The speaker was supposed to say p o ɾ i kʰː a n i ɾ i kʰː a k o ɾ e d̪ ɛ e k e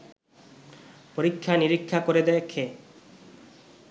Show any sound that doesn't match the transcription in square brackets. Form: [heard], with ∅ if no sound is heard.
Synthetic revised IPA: p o ɾ i kʰː a n i ɾ i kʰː a k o ɾ e d̪ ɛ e [kʰ] e